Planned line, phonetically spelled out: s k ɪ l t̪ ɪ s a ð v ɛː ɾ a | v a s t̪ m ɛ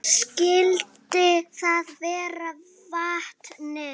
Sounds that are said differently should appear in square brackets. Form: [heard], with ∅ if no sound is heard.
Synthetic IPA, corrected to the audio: s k ɪ l t̪ ɪ [θ] a ð v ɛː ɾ a | v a [h] t̪ [n] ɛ

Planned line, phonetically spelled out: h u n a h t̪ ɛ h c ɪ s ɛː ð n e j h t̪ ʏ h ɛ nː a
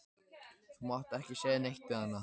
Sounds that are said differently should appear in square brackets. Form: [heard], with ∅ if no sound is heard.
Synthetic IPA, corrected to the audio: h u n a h t̪ ɛ h c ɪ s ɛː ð n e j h t̪ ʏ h [a] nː a

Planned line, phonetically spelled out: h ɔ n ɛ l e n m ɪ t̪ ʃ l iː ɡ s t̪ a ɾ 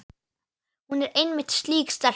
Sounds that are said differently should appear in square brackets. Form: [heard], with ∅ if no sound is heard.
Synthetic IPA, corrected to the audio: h [u] n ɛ [ɾ] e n m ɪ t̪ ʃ l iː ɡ s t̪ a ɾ

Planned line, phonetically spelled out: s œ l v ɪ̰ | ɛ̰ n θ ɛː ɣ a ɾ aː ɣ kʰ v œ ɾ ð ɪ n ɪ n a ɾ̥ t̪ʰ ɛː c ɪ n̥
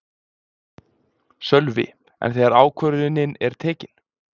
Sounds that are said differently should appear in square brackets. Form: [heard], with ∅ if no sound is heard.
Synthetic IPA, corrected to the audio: s œ l v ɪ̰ | ɛ̰ n θ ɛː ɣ a ɾ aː [w] kʰ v œ ɾ ð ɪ n ɪ n [ɛ] ɾ̥ t̪ʰ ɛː c ɪ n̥

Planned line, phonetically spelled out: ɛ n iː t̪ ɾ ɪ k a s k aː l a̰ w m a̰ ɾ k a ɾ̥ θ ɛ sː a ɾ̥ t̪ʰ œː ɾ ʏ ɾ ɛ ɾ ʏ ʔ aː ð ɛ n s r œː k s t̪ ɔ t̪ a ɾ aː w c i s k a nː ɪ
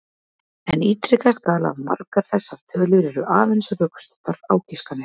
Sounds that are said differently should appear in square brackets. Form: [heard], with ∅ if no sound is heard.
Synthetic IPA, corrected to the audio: ɛ n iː t̪ ɾ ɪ k a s k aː l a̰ [v] m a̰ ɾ k a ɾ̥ θ ɛ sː a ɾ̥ t̪ʰ œː [l] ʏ ɾ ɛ ɾ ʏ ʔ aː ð ɛ n s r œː k s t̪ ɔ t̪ a ɾ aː w c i s k a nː ɪ

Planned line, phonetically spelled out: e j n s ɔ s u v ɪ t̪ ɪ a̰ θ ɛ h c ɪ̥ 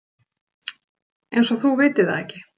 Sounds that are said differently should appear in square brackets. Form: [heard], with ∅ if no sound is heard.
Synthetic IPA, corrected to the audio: e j n s ɔ [θ] u v [ɪː] t̪ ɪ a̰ [ð] ɛ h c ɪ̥

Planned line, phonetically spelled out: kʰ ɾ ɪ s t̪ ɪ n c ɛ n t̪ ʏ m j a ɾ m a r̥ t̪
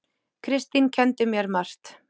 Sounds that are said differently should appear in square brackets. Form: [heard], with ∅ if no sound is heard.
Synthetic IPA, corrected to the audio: kʰ ɾ ɪ s t̪ [i] n [cʰ] ɛ n t̪ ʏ m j [ɛ] ɾ m a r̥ t̪

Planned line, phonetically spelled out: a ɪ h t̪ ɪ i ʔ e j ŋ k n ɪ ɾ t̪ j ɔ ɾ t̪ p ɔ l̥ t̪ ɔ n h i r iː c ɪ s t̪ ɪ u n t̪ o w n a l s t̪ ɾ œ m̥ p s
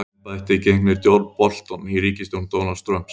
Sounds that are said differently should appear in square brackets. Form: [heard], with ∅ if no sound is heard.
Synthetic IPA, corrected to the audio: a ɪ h t̪ ɪ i [c] e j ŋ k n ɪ ɾ t̪ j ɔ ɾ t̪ p ɔ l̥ t̪ ɔ n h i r iː c ɪ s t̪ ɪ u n t̪ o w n a l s t̪ ɾ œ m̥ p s

